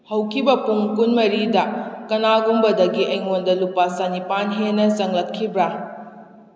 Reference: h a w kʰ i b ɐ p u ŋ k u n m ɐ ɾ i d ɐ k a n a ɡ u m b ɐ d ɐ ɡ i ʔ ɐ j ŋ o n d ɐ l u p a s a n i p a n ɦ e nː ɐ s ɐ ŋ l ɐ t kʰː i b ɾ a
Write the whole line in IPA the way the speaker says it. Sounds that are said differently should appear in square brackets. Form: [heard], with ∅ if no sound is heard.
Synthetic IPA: h [ɐ] w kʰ i b ɐ p u ŋ k u n m ɐ ɾ i d ɐ k [ɐ] n a ɡ u m b ɐ d ɐ ɡ i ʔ ɐ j ŋ o n d ɐ l u p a s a n i p a n ɦ e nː ɐ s ɐ ŋ l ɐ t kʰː i b ɾ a